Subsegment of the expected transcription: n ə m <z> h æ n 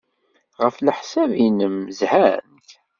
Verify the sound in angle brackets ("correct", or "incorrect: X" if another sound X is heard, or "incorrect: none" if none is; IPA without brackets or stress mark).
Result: correct